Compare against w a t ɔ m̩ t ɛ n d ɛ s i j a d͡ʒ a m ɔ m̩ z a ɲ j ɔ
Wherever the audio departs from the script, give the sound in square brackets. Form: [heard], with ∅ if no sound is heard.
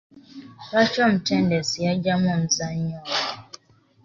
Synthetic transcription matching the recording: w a [t͡ʃ] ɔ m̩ t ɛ n d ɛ s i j a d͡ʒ a m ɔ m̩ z a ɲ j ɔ